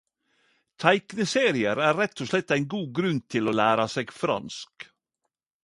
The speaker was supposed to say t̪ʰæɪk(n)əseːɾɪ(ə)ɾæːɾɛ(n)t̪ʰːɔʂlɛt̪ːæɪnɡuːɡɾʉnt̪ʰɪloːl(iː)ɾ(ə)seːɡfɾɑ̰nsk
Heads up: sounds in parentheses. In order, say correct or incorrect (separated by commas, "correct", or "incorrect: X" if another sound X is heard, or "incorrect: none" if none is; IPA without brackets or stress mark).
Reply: correct, correct, incorrect: none, incorrect: æː, incorrect: ɑ